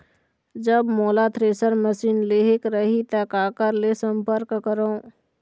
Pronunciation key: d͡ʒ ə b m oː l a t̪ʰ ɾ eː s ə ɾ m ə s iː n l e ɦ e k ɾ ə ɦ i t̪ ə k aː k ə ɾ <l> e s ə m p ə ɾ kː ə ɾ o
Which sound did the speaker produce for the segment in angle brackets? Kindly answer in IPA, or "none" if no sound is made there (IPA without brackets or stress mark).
l